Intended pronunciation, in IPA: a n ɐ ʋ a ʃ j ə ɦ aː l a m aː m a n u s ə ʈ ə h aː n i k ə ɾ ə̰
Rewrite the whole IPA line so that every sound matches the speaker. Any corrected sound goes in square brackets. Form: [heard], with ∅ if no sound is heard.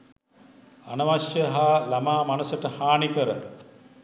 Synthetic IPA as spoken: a n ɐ ʋ a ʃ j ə ɦ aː l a m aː m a n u s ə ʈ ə h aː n i k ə ɾ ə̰